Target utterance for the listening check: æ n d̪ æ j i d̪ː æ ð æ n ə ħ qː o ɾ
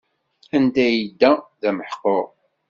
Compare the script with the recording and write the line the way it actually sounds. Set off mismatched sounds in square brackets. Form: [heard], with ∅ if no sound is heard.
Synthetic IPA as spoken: æ n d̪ æ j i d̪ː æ ð æ [m] ə ħ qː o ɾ